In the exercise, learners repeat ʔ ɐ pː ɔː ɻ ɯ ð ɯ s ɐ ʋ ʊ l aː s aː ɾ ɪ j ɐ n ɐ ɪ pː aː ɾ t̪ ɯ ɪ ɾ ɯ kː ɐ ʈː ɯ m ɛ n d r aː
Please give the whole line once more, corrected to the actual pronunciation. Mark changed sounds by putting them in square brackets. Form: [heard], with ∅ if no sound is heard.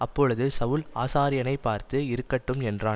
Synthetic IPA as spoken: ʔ ɐ pː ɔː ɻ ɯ ð ɯ s ɐ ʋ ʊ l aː s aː ɾ ɪ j ɐ n ɐ ɪ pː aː ɾ t̪ ɯ ɪ ɾ ɯ kː ɐ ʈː ɯ m ɛ n d r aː